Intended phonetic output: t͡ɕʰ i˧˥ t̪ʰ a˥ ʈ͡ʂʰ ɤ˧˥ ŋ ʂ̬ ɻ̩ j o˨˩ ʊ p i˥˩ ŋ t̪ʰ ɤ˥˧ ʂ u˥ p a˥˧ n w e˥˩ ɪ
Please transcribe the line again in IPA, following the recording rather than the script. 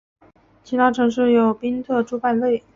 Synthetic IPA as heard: t͡ɕʰ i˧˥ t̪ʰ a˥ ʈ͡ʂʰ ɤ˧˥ ŋ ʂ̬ ɻ̩ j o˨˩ ʊ p i˥ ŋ t̪ʰ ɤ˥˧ ʈ͡ʂ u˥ p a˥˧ n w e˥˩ ɪ

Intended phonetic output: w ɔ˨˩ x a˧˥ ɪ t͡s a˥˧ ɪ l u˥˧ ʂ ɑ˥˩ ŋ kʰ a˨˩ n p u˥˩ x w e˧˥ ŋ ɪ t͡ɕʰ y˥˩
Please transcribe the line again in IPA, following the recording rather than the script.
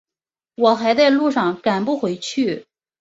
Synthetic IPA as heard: w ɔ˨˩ x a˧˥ ɪ t͡s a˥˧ ɪ l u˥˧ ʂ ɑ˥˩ ŋ k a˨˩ n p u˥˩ x w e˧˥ ɪ t͡ɕʰ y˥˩

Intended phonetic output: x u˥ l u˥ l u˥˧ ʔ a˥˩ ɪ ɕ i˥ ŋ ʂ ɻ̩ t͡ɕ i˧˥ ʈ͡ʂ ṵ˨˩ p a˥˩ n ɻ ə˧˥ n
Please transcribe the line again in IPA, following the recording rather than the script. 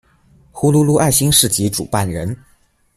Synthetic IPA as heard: x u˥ l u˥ l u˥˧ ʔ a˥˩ ɪ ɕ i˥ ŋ ʂ ɻ̩ t͡ɕ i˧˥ ʈ͡ʂ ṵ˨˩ p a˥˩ n ɻ ə˧˥ n

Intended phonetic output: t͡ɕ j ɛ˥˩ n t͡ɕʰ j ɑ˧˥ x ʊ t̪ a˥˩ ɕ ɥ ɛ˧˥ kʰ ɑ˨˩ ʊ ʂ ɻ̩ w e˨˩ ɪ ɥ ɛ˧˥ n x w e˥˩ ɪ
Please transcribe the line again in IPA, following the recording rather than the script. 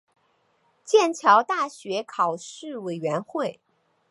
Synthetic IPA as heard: t͡ɕ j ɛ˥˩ n t͡ɕʰ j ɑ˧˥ ʊ t̪ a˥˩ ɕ ɥ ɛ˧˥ kʰ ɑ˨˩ ʊ ʂ ɻ̩ w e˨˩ ɪ ɥ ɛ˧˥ n x w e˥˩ ɪ

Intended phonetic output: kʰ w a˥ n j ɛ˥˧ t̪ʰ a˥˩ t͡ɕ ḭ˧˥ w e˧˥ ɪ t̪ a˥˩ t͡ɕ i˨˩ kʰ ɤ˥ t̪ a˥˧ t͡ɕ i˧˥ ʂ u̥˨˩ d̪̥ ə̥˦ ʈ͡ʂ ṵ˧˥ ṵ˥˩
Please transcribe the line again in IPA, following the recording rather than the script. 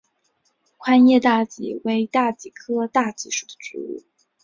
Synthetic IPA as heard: kʰ w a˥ n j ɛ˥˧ t̪ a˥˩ t͡ɕ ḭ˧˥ w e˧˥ ɪ t̪ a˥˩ t͡ɕ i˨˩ kʰ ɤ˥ t̪ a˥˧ t͡ɕ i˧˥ ʂ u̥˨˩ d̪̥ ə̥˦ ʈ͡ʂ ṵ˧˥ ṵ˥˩

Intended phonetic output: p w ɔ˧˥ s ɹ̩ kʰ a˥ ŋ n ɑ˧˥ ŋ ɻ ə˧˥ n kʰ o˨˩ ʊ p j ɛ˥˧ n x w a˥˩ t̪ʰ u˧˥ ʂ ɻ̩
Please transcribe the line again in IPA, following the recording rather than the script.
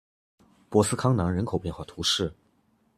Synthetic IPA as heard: p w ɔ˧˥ s ɹ̩ kʰ ɑ˥ ŋ n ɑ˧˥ ŋ ɻ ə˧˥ n kʰ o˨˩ ʊ p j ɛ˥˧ n x w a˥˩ t̪ʰ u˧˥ ʂ ɻ̩

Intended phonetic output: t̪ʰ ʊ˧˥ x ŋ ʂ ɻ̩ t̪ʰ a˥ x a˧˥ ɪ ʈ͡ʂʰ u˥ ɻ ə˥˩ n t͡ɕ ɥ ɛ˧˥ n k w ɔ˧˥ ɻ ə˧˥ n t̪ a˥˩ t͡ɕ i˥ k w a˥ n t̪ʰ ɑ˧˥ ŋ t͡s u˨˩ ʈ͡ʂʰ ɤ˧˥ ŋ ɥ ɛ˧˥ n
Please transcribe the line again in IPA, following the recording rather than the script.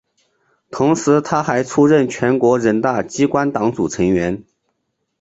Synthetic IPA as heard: t̪ʰ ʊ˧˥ ŋ ʂ ɻ̩ t̪ʰ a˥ x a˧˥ ɪ ʈ͡ʂʰ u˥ ɻ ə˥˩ n t͡ɕʰ ɥ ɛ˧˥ n k w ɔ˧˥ ɻ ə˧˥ n t̪ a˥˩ t͡ɕ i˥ k w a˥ n t̪ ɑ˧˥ ŋ t͡s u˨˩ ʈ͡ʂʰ ɤ˧˥ ŋ ɥ ɛ˧˥ n

